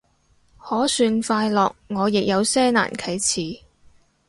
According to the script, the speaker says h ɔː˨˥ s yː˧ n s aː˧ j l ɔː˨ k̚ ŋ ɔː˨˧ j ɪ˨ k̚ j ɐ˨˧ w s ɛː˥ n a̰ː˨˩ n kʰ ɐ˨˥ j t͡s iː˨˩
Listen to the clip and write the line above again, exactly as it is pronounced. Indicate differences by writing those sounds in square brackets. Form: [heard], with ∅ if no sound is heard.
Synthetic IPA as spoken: h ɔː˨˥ s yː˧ n [f] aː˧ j l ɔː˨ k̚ ŋ ɔː˨˧ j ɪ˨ k̚ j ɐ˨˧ w s ɛː˥ n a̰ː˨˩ n kʰ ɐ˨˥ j [t͡sʰ] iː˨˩